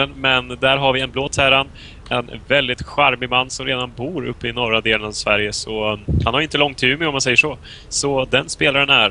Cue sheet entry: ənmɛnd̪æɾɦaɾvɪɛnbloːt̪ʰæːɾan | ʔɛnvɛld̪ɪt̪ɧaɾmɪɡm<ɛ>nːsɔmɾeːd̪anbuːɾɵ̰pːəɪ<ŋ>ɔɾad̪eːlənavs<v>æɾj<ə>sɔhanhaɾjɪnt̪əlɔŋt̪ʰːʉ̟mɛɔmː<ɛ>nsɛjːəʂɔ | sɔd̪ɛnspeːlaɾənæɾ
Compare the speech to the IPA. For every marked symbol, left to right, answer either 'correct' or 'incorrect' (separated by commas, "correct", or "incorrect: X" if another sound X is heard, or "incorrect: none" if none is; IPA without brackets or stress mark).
incorrect: a, incorrect: n, correct, correct, incorrect: a